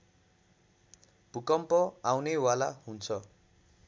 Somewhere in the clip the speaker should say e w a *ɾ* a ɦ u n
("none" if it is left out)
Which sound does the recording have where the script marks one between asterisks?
l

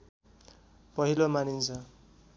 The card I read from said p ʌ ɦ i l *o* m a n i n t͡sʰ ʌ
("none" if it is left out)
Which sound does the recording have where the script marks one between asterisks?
o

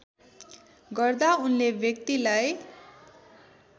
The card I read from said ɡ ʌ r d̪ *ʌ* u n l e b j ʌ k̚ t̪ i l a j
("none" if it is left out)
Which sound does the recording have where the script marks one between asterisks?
a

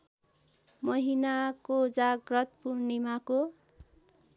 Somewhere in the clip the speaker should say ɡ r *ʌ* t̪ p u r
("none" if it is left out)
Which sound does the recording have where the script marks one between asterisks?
ʌ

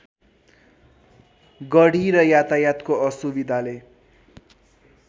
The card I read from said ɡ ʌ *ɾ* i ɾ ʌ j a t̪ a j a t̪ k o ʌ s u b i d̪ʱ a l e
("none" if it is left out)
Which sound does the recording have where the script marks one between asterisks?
ɽ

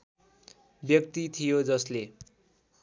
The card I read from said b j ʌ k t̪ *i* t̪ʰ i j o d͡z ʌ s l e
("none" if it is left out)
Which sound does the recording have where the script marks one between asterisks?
i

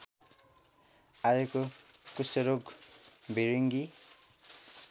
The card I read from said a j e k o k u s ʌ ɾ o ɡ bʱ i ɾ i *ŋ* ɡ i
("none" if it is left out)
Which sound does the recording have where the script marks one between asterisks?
ŋ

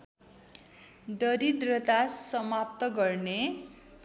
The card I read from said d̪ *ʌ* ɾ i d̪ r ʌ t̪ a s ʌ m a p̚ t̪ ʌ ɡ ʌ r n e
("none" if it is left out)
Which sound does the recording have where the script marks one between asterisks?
ʌ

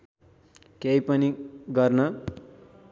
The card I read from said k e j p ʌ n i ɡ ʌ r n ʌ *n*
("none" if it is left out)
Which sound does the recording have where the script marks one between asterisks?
none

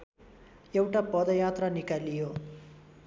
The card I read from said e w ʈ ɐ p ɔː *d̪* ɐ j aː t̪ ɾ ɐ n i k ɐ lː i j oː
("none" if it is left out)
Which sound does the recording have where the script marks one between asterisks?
d̪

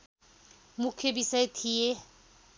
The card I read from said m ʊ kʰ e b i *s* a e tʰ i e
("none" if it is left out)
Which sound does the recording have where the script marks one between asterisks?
s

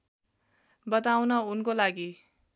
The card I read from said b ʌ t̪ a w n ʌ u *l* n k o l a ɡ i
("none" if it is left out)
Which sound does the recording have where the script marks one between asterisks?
none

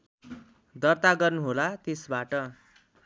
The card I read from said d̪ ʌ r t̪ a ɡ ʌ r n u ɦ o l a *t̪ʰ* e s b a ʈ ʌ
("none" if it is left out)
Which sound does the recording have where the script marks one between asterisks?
t̪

